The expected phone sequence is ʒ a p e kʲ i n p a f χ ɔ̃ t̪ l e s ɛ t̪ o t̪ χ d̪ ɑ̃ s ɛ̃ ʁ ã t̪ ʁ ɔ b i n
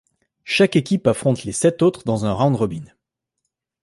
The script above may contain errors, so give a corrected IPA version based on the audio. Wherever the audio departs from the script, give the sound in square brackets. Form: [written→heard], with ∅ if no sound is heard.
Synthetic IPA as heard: [ʒ→ʃ] a [p→k] e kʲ i [n→∅] p a f χ ɔ̃ t̪ l e s ɛ t̪ o t̪ χ d̪ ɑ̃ [s→z] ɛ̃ ʁ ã [t̪→d̪] ʁ ɔ b i n